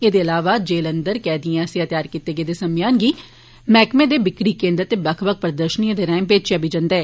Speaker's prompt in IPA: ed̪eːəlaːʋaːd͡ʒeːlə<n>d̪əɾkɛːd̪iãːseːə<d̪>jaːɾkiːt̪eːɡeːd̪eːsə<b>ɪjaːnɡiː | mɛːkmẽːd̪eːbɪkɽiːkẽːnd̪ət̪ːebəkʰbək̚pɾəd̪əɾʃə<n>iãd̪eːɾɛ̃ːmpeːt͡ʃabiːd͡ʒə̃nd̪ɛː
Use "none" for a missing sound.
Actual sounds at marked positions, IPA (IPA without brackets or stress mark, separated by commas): n, t̪, m, n